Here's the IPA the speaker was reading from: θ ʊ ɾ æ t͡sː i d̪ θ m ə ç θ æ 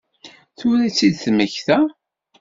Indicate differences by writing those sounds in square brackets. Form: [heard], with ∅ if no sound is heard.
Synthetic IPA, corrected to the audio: θ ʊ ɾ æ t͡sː i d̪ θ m ə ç θ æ